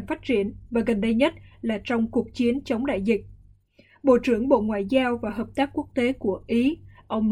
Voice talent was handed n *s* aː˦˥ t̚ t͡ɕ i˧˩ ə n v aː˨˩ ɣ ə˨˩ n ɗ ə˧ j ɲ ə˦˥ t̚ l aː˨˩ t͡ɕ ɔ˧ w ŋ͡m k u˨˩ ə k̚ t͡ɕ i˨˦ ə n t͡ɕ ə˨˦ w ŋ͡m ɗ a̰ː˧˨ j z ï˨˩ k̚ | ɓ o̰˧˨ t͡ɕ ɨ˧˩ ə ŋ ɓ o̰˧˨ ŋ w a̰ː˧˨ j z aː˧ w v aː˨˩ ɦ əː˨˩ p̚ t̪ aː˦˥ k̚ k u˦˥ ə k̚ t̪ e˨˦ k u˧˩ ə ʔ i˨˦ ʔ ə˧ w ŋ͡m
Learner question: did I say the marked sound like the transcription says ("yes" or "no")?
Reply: no